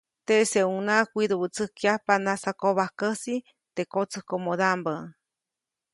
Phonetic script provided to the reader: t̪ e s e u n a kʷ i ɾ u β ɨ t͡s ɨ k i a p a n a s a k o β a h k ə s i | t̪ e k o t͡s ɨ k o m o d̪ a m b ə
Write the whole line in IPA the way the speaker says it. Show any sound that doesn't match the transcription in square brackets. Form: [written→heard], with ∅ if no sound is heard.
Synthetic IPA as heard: t̪ e s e u n a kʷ i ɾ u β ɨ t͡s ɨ k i a p a n a s a k o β a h k ə s i | t̪ e k o t͡s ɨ k o m o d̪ a m b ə